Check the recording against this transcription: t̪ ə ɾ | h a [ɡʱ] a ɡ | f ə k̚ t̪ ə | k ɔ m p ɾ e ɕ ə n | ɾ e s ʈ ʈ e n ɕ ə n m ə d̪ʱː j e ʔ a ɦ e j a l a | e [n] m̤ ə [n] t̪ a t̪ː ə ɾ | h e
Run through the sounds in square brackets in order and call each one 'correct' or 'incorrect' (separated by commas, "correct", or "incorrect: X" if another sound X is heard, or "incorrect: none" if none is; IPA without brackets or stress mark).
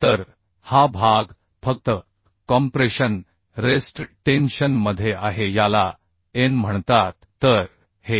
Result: incorrect: bʱ, correct, incorrect: ɳ